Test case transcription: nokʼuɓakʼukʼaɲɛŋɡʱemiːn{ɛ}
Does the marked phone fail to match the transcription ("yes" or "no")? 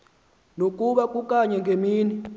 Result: yes